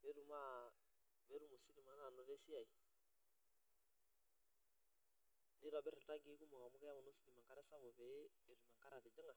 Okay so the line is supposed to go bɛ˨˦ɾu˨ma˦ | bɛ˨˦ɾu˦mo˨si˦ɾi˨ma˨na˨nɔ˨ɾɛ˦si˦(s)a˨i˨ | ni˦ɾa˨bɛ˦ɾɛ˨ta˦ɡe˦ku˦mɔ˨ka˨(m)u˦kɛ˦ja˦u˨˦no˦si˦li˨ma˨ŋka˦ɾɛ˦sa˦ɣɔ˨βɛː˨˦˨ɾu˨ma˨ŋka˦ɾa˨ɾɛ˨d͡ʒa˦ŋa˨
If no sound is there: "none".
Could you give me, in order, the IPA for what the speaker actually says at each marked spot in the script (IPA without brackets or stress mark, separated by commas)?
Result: none, m